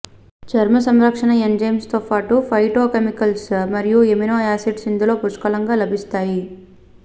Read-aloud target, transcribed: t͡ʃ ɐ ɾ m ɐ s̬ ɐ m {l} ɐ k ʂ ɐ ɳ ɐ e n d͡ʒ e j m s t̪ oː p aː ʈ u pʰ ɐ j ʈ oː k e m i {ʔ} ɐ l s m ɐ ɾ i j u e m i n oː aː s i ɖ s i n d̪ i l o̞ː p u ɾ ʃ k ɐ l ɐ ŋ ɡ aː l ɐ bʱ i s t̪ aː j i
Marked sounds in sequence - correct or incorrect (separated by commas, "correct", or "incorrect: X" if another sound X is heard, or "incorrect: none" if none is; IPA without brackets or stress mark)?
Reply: incorrect: ɾ, incorrect: k